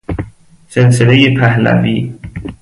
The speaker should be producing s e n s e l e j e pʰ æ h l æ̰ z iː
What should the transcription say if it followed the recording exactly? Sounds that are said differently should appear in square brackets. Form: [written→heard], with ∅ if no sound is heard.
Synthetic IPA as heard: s e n s e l e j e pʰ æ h l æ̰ [z→v] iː